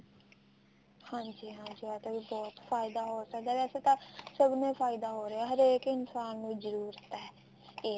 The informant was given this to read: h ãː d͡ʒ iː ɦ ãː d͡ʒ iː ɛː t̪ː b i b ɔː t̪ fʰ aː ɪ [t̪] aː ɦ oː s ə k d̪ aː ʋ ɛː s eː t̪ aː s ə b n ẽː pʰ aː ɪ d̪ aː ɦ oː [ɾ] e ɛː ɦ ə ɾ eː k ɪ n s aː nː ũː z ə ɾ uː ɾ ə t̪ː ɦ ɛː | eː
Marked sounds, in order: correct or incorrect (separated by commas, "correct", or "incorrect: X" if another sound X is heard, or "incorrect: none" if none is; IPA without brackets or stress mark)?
incorrect: d̪, correct